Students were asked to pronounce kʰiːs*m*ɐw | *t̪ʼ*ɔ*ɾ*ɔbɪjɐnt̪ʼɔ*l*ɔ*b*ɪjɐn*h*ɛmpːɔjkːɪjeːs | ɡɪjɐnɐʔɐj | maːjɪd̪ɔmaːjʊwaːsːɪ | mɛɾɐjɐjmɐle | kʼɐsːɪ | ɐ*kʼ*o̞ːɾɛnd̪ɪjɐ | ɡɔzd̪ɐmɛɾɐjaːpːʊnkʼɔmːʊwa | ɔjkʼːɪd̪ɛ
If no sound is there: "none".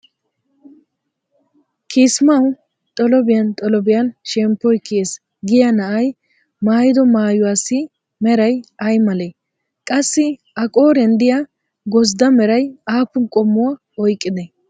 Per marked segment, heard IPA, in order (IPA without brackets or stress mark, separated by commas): m, t̪ʼ, l, l, b, ʃ, kʼ